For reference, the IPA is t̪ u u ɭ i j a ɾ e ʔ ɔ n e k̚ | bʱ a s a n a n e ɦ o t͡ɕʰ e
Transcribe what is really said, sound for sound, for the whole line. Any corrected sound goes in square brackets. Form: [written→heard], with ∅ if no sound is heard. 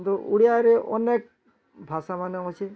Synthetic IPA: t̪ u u [ɭ→ɽ] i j a ɾ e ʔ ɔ n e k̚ | bʱ a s a [n→m] a n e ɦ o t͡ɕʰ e